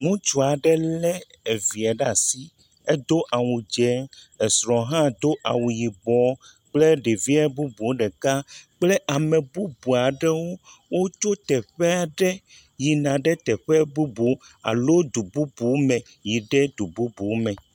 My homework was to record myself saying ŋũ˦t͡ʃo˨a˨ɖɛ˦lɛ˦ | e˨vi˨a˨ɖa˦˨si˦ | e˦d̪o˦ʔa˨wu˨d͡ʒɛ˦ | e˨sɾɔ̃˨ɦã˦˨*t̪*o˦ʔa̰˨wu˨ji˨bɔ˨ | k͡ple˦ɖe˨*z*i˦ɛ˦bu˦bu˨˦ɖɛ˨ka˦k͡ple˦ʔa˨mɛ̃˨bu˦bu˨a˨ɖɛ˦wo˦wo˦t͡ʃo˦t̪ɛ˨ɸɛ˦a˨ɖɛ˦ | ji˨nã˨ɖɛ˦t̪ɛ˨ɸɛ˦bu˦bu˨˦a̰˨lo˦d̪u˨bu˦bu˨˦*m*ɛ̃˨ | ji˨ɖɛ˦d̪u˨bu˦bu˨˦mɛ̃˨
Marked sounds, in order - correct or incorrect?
incorrect: d̪, incorrect: v, correct

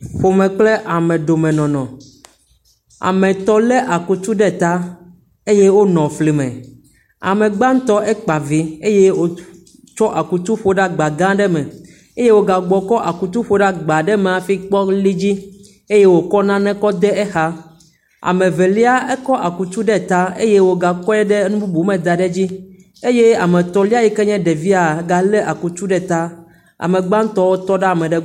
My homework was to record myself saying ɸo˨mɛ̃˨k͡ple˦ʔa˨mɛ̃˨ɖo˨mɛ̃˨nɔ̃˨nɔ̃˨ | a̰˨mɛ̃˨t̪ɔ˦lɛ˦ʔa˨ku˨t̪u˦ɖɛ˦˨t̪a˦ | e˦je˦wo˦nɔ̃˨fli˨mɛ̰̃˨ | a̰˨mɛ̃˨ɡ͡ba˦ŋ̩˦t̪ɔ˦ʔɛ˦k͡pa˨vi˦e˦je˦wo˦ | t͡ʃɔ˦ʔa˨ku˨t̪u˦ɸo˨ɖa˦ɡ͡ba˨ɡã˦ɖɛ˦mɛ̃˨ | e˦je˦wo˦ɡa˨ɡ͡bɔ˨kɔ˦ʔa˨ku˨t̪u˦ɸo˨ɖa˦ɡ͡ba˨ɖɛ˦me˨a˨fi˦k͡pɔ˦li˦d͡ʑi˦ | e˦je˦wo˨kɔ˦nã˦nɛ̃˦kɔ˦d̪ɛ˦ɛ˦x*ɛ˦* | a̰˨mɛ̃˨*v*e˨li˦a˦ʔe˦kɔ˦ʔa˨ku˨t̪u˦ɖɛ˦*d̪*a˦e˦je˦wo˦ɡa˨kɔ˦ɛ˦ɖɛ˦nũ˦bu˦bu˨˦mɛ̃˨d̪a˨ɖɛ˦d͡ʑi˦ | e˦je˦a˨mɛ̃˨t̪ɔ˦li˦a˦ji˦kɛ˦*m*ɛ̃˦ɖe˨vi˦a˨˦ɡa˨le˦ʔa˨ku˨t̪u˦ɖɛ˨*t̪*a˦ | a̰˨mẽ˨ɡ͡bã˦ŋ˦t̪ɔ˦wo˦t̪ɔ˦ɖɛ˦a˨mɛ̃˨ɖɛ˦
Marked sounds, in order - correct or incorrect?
incorrect: a˦, correct, incorrect: t̪, incorrect: ɲ, correct

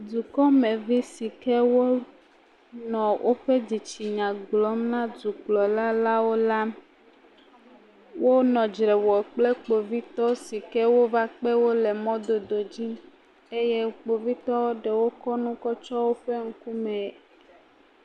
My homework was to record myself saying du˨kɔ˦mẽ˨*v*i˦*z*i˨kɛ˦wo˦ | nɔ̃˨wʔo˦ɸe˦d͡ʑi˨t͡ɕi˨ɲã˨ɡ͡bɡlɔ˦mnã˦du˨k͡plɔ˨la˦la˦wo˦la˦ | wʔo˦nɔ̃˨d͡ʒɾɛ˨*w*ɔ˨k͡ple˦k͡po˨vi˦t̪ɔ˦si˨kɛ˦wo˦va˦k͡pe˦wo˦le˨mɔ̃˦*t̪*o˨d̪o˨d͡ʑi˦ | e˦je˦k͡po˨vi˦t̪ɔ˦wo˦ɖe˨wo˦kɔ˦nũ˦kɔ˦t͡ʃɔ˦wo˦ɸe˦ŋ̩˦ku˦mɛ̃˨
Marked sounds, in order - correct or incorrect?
correct, incorrect: s, correct, incorrect: d̪

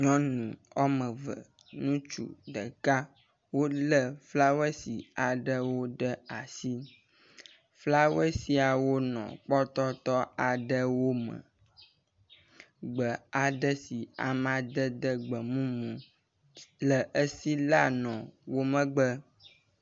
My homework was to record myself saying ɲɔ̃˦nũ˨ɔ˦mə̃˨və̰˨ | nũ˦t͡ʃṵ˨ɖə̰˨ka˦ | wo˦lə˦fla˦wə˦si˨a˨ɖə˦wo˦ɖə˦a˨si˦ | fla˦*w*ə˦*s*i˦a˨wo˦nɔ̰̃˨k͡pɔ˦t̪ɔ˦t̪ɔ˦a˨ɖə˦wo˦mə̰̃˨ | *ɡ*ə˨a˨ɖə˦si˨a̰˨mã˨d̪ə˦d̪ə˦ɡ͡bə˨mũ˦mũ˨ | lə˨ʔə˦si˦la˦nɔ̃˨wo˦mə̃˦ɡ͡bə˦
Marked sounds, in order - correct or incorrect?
correct, correct, incorrect: ɡ͡b

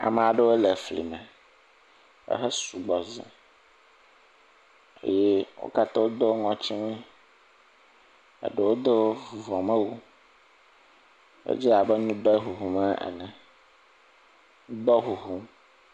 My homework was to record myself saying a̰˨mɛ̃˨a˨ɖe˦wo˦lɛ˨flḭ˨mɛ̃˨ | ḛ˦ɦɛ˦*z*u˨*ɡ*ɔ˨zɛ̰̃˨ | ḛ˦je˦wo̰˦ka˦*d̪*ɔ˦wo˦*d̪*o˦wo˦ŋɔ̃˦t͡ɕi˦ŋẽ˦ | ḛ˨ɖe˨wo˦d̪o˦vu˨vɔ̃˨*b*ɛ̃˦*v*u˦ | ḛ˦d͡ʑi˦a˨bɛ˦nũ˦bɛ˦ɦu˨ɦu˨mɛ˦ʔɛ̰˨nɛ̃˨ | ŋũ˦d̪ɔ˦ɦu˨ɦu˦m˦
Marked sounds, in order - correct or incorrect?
incorrect: s, incorrect: ɡ͡b, incorrect: t̪, correct, incorrect: m, incorrect: w

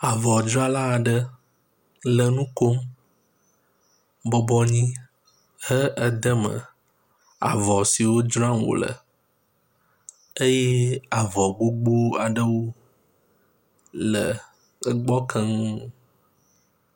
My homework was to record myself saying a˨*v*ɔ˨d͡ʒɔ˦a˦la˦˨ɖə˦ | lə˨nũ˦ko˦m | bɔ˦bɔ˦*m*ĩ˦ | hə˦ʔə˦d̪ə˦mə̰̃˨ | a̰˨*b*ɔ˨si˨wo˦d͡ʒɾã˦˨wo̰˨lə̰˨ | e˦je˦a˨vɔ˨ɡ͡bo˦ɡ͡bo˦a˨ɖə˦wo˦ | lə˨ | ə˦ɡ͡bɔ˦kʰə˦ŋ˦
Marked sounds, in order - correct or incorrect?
correct, incorrect: ɲ, incorrect: v

